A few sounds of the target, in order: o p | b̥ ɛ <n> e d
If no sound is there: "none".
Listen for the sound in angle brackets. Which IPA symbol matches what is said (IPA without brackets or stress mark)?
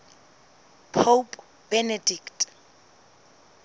n